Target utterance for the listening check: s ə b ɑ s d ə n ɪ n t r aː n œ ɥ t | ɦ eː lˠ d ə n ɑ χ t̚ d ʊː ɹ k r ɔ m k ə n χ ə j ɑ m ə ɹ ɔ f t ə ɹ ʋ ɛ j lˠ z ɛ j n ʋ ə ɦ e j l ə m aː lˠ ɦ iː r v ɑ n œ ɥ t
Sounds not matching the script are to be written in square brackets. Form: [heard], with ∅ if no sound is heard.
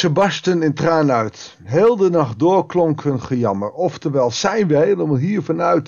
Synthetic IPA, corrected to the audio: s ə b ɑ s [t] ə n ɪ n t r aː n œ ɥ t | ɦ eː lˠ d ə n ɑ χ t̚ d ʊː ɹ k [l] ɔ [ŋ] k ə n χ ə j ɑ m ə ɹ ɔ f t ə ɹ ʋ ɛ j lˠ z ɛ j n ʋ ə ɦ e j l ə m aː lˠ ɦ iː [ɹ] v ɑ n œ ɥ t